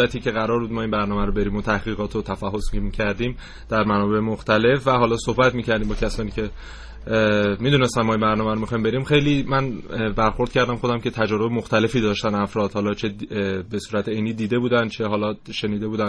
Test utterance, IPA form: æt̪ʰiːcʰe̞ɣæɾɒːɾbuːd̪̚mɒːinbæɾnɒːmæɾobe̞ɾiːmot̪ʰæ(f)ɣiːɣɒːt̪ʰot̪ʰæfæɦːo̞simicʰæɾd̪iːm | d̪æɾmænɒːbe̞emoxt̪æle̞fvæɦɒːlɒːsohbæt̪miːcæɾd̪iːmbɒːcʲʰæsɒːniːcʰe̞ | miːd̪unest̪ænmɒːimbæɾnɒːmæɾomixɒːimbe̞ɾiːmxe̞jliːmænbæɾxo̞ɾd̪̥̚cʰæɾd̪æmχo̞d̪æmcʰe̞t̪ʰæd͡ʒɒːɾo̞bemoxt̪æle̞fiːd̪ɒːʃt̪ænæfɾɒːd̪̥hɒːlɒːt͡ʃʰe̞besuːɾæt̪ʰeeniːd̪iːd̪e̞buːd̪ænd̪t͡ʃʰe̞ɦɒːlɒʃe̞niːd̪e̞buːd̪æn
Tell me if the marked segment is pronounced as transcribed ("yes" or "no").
no